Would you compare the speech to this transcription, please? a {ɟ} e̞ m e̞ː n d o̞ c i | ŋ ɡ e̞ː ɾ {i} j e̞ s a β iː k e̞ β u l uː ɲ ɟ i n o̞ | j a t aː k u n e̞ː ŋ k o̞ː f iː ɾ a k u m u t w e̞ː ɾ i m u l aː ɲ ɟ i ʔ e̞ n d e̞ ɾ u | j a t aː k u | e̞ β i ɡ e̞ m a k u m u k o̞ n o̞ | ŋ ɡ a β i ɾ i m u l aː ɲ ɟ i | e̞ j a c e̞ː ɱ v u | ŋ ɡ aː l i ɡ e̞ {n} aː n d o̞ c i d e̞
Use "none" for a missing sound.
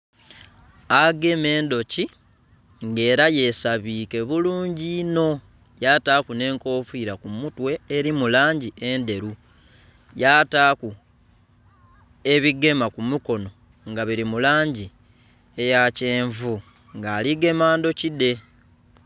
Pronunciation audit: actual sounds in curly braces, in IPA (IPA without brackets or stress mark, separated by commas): ɡ, a, m